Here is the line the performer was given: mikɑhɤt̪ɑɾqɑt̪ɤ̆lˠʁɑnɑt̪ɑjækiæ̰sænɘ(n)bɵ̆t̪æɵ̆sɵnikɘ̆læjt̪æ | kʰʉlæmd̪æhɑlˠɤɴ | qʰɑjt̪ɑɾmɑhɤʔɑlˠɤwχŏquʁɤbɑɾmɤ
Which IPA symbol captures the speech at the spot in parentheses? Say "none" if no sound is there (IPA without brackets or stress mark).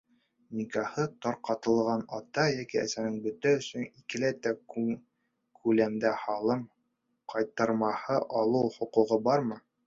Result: ŋ